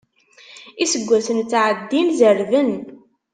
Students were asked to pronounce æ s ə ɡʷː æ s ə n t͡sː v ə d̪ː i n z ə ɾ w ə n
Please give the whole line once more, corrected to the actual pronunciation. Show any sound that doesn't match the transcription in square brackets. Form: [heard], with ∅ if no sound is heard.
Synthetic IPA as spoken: [i] s ə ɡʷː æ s ə n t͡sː [ʕ] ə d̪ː i n z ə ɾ [v] ə n